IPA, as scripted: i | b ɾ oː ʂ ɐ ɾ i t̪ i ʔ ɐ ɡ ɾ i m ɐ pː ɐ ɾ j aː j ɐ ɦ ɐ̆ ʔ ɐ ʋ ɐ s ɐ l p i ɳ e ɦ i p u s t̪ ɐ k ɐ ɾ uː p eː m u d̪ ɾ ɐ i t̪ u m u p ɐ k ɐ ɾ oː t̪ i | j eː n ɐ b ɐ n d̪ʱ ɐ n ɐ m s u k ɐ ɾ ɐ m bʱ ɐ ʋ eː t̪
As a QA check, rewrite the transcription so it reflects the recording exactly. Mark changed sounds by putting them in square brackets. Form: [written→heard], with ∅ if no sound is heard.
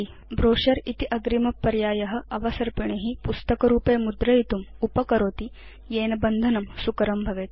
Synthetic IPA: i | b ɾ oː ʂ ɐ ɾ i t̪ i ʔ ɐ ɡ ɾ i m ɐ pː ɐ ɾ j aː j ɐ ɦ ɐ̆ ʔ ɐ ʋ ɐ s ɐ [l→ɾ] p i ɳ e ɦ i p u s t̪ ɐ k ɐ ɾ uː p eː m u d̪ ɾ ɐ i t̪ u m u p ɐ k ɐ ɾ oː t̪ i | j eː n ɐ b ɐ n d̪ʱ ɐ n ɐ m s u k ɐ ɾ ɐ m bʱ ɐ ʋ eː t̪